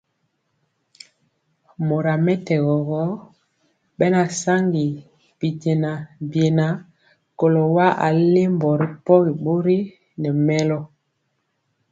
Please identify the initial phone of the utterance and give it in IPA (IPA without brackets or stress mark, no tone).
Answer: m